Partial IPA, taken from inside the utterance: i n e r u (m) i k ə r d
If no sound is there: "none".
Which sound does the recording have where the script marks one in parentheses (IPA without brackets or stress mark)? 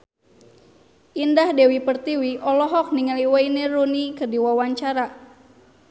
n